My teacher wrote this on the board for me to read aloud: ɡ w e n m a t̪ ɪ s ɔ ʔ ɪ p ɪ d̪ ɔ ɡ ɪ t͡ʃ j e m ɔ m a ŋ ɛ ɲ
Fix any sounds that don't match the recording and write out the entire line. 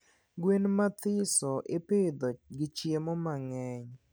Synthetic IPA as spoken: ɡ w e n m a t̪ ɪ s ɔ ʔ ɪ p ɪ d̪ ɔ ɡ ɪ t͡ʃ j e m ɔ m a ŋ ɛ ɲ